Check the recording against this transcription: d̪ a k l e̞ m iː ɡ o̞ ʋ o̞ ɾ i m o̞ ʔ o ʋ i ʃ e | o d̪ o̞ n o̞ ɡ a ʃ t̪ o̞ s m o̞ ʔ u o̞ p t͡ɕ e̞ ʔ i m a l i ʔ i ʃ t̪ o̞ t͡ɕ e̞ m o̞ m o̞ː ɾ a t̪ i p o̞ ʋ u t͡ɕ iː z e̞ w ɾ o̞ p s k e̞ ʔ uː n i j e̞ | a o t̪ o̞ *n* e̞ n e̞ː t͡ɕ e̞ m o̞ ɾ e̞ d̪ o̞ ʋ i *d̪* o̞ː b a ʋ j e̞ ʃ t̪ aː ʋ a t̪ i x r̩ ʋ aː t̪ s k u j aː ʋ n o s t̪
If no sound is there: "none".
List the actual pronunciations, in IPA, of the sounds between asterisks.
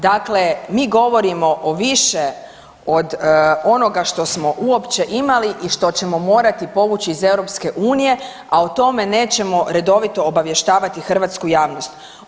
m, t̪

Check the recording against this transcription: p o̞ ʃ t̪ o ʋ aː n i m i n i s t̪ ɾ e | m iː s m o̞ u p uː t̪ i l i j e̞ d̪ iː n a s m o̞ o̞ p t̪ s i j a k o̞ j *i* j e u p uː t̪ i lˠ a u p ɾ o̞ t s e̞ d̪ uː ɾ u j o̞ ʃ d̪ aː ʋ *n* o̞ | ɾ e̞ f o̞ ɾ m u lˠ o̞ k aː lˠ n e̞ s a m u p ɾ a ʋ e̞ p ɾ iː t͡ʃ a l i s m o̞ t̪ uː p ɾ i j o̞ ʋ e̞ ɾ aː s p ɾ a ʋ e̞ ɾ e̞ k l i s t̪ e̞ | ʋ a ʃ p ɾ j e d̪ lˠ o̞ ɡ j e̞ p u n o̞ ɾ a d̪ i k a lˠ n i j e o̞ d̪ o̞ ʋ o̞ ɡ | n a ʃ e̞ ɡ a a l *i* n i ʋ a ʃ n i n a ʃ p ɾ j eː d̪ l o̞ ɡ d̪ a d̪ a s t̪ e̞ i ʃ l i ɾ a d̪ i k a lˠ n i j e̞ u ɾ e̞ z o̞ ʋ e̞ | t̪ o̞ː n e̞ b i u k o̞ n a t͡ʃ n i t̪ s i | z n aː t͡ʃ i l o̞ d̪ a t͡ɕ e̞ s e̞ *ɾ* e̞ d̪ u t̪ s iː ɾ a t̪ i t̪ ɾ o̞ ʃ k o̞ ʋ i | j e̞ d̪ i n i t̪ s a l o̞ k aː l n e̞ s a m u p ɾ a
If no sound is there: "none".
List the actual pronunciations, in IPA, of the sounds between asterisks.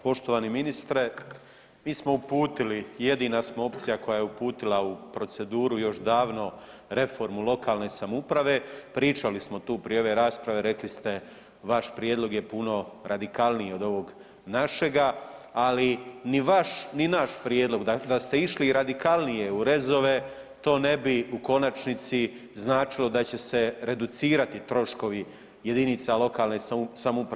a, n, i, ɾ

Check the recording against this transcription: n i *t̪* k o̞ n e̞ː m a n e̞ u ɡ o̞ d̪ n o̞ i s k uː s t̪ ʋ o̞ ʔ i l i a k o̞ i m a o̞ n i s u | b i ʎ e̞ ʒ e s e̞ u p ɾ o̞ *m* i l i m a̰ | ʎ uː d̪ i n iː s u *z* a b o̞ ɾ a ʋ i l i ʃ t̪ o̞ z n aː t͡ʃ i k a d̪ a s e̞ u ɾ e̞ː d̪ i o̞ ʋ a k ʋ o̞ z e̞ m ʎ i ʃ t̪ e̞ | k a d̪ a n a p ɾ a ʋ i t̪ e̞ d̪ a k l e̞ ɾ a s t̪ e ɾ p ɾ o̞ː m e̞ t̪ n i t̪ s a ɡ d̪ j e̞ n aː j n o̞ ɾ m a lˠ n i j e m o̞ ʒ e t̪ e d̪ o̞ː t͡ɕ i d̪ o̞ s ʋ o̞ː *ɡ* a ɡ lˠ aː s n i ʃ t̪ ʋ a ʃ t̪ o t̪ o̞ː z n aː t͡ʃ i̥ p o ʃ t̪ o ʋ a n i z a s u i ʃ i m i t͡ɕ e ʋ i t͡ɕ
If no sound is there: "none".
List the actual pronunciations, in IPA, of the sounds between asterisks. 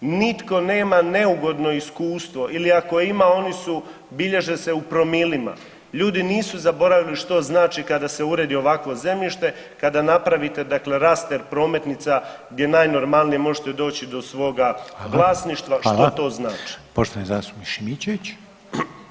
t̪, m, z, ɡ

